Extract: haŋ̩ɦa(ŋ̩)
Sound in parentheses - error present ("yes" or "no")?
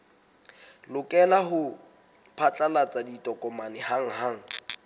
no